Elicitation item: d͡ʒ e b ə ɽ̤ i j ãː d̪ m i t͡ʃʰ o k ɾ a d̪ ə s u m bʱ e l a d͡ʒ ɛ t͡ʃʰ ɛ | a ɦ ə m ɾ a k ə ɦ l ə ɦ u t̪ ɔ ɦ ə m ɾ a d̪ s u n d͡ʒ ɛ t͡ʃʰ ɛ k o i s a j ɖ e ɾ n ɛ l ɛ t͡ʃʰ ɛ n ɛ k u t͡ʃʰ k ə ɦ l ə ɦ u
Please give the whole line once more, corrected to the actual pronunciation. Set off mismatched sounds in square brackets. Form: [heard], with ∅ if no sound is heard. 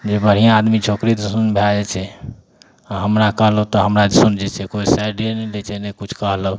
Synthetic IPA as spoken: d͡ʒ e b ə ɽ̤ i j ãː d̪ m i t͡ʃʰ o k ɾ [i] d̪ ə s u [n] bʱ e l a d͡ʒ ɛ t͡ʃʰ ɛ | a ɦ ə m ɾ a k ə ɦ l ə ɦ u t̪ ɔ ɦ ə m ɾ a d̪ s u n d͡ʒ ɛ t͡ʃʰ ɛ k o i s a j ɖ e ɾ n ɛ l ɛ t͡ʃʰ ɛ n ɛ k u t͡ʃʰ k ə ɦ l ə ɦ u

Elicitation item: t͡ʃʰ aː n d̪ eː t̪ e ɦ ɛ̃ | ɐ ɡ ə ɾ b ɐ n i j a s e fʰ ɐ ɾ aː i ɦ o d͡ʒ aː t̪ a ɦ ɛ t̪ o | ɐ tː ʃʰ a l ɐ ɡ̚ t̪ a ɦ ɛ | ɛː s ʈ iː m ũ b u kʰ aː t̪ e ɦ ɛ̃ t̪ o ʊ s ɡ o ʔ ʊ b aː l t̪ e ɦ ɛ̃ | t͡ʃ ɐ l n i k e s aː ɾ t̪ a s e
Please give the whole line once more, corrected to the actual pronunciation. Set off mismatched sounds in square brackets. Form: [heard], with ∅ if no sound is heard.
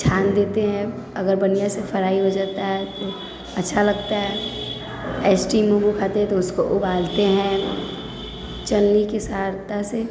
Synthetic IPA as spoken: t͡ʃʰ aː n d̪ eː t̪ e ɦ ɛ̃ | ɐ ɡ ə ɾ b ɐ n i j a s e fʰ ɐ ɾ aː i ɦ o d͡ʒ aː t̪ a ɦ ɛ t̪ o | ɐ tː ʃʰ a l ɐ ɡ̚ t̪ a ɦ ɛ | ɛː s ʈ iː m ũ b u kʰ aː t̪ e ɦ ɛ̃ t̪ o ʊ s [k] o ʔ ʊ b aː l t̪ e ɦ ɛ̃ | t͡ʃ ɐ l n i k e s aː ɾ t̪ a s e

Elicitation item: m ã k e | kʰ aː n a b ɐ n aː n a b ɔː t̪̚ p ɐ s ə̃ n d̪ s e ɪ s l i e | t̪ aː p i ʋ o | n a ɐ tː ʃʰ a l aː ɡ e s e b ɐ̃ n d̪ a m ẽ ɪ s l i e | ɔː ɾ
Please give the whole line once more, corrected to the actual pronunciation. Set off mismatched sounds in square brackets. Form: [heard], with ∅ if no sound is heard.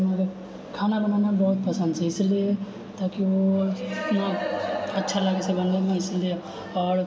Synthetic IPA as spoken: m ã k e | kʰ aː n a b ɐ n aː n a b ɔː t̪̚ p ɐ s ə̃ n d̪ s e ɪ s l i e | t̪ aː [k] i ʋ o | n a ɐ tː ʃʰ a l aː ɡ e s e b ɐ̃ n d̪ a m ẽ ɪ s l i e | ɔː ɾ

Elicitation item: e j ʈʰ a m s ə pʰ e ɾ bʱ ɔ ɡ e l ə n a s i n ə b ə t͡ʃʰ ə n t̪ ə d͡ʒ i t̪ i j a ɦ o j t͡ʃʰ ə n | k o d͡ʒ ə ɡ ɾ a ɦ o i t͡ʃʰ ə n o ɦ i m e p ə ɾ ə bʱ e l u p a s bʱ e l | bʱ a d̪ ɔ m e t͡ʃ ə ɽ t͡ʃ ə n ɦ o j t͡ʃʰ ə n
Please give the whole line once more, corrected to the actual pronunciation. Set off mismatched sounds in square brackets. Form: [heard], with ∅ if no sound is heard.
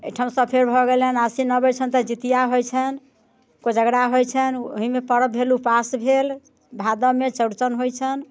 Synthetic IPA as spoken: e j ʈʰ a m s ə pʰ e ɾ bʱ ɔ ɡ e l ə n a s i n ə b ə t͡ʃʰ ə n t̪ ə d͡ʒ i t̪ i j a ɦ o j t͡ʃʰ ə n | k o d͡ʒ ə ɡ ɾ a ɦ o [j] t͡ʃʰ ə n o ɦ i m e p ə ɾ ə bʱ e l u p a s bʱ e l | bʱ a d̪ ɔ m e t͡ʃ ə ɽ t͡ʃ ə n ɦ o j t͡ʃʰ ə n

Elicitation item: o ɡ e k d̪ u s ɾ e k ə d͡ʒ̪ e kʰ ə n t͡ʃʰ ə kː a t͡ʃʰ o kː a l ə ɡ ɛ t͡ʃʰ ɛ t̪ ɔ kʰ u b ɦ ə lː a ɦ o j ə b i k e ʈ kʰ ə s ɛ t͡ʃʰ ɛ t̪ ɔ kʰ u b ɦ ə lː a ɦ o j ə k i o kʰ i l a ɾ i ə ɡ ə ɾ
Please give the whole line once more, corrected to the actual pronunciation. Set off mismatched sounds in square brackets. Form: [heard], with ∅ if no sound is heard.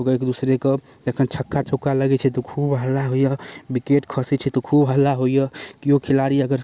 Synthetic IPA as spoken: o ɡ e k d̪ u s ɾ e k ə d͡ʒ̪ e kʰ ə n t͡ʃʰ ə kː a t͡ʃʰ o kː a l ə ɡ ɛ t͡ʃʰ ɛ t̪ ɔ kʰ u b ɦ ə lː a ɦ o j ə b i k e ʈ kʰ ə s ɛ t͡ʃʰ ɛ t̪ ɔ kʰ u b ɦ ə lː a ɦ o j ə k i o kʰ i l a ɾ i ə ɡ ə ɾ

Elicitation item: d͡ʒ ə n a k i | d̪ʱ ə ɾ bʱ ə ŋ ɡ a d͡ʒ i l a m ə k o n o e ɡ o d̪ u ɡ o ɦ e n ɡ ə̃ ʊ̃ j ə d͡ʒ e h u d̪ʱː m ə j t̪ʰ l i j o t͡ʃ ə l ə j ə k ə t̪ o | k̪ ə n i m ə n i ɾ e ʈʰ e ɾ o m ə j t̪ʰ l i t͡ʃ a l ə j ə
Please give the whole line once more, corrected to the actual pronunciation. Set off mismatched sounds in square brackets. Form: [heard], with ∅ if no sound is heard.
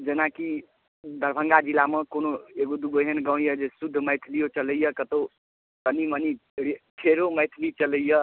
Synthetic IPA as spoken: d͡ʒ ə n a k i | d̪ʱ ə ɾ bʱ ə ŋ ɡ a d͡ʒ i l a m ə k o n o e ɡ o d̪ u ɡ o ɦ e n ɡ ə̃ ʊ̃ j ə d͡ʒ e [s] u d̪ʱː m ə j t̪ʰ l i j o t͡ʃ ə l ə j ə k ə t̪ o | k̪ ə n i m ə n i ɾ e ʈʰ e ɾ o m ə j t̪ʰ l i t͡ʃ [ə] l ə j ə

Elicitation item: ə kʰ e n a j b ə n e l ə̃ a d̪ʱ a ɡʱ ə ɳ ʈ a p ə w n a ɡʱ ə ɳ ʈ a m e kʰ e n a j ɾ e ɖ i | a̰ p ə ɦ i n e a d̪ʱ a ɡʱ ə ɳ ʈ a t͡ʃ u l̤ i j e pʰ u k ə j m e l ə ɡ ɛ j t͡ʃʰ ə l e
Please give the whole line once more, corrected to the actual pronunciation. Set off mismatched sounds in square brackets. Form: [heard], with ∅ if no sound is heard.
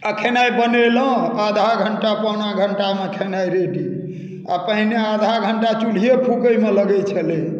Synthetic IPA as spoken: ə kʰ e n a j b ə n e l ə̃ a d̪ʱ a ɡʱ ə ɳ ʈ a p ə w n a ɡʱ ə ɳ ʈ a m e kʰ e n a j ɾ e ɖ i | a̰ p ə ɦ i n e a d̪ʱ a ɡʱ ə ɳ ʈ a t͡ʃ u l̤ i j e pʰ u k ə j m e l ə ɡ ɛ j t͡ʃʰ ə l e

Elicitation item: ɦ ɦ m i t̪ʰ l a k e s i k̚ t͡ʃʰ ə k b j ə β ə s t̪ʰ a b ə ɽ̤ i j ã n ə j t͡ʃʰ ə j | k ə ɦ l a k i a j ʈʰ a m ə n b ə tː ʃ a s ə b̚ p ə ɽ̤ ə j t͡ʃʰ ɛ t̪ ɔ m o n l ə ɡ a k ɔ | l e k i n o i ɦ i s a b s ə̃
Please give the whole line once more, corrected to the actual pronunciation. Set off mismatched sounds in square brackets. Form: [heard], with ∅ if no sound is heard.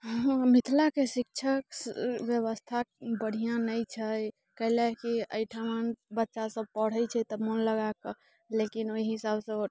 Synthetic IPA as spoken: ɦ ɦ m i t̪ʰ l a k e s i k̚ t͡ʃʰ ə k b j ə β ə s t̪ʰ a b ə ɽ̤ i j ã n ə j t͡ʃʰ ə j | k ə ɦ l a k i [ə] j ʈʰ a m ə n b ə tː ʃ a s ə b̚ p ə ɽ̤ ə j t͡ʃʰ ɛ t̪ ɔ m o n l ə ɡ a k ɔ | l e k i n o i ɦ i s a b s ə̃

